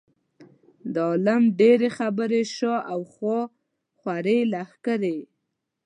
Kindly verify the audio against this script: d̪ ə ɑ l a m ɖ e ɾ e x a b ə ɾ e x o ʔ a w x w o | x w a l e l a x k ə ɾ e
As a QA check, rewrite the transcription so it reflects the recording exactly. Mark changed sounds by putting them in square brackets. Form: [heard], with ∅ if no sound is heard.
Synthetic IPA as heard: d̪ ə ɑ l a m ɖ e ɾ e x a b ə ɾ e [ʃ] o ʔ a w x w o | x w a [ɾ] e l a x k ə ɾ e